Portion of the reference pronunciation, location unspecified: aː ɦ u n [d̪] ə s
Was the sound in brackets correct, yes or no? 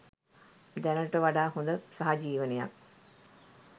yes